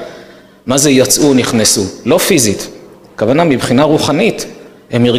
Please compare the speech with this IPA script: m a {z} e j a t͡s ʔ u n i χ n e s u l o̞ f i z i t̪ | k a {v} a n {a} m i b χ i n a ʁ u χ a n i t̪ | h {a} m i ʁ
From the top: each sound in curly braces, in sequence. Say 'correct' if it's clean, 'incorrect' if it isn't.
correct, correct, correct, incorrect: e

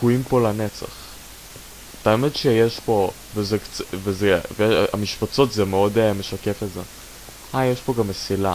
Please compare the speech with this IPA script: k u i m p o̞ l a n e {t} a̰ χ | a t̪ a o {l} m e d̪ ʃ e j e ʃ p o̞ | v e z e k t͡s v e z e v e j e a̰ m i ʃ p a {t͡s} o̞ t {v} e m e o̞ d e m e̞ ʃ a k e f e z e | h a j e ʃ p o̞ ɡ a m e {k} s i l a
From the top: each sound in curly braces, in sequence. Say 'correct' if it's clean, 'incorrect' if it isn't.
incorrect: t͡s, incorrect: none, correct, incorrect: z, incorrect: none

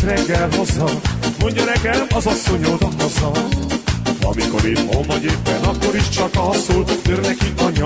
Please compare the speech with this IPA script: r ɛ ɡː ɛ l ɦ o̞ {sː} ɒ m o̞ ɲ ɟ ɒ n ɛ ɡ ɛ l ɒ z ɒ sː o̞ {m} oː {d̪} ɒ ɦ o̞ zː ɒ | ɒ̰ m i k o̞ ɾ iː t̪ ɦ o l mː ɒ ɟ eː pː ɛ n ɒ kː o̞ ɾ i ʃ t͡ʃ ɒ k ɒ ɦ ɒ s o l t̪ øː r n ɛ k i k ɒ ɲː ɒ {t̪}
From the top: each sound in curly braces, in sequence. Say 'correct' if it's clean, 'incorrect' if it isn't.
incorrect: zː, incorrect: ɲ, correct, incorrect: none

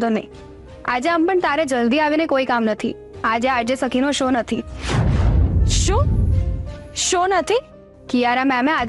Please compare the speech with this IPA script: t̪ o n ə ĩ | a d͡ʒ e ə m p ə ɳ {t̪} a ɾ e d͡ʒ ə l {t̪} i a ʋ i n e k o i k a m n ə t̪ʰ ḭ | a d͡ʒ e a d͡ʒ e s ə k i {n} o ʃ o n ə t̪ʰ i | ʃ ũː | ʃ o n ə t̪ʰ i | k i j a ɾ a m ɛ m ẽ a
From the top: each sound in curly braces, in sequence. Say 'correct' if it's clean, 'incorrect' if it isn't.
correct, incorrect: d̪, correct

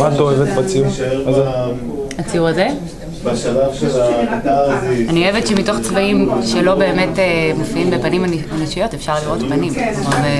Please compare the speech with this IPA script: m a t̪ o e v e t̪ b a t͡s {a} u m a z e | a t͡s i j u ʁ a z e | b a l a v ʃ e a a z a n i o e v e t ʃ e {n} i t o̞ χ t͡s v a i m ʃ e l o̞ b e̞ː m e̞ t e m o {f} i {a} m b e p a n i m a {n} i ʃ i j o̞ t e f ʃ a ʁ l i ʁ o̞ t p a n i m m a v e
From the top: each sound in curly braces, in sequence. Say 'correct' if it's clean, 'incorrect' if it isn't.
incorrect: i, incorrect: m, correct, incorrect: i, correct

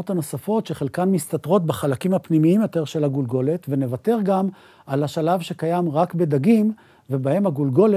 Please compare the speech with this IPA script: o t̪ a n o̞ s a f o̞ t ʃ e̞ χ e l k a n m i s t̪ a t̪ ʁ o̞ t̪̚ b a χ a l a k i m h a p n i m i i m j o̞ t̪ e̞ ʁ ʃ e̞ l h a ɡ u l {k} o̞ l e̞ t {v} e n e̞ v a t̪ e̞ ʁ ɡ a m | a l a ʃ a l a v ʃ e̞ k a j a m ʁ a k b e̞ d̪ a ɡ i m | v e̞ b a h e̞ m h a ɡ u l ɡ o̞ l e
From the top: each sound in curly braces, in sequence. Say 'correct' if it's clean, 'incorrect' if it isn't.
incorrect: ɡ, correct

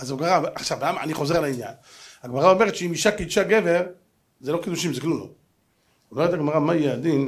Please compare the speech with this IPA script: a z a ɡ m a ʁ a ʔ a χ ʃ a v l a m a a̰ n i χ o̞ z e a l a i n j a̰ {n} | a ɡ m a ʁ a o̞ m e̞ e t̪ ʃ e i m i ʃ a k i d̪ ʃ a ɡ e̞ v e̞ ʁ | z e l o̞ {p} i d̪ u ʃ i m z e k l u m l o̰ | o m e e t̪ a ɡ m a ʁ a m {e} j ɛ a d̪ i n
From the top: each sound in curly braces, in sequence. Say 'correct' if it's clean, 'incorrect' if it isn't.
correct, incorrect: k, incorrect: a

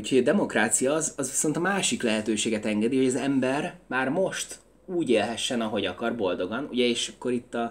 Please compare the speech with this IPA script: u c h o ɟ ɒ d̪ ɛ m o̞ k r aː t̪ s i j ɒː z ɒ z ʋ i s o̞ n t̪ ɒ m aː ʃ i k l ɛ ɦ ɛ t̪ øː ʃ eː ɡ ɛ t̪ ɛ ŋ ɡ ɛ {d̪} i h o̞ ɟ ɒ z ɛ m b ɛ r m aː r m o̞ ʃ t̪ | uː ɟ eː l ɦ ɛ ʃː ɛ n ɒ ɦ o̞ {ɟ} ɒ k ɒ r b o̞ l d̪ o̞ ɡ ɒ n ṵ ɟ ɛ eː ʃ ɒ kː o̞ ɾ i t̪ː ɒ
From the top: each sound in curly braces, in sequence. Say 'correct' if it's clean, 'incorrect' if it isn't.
correct, correct

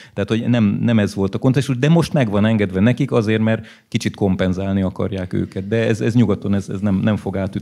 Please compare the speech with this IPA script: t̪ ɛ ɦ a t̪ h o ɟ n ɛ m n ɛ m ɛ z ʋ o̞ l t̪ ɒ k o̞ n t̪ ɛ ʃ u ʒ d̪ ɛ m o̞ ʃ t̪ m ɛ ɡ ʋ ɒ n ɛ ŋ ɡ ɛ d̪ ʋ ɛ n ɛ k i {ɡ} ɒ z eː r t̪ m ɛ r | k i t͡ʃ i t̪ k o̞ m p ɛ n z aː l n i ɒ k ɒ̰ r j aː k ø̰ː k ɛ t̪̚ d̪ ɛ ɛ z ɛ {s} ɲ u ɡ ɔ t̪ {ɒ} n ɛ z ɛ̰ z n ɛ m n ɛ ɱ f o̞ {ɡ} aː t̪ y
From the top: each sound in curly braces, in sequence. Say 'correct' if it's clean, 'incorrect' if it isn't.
incorrect: k, incorrect: z, incorrect: o, correct

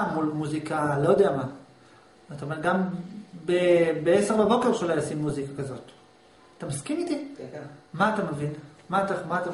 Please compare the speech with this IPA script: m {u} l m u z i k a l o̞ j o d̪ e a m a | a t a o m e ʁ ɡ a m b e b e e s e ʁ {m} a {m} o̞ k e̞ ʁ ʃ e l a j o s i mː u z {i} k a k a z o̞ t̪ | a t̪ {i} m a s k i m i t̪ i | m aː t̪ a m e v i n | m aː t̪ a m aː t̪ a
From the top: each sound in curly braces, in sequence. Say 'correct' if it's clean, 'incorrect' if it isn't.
correct, incorrect: b, incorrect: b, correct, incorrect: a

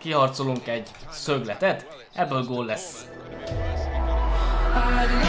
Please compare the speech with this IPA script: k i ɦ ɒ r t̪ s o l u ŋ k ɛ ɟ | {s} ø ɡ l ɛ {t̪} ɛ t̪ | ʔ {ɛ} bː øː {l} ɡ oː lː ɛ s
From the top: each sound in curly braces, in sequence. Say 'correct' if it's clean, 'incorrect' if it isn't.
correct, correct, correct, correct

